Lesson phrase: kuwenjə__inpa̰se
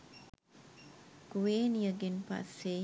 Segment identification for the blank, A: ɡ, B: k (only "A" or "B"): A